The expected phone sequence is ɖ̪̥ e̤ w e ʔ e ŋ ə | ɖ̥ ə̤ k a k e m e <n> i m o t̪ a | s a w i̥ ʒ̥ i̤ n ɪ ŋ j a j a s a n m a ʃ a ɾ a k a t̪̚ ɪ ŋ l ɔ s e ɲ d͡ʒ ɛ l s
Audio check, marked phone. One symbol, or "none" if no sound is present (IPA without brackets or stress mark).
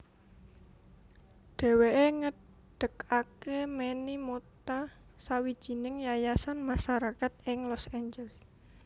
n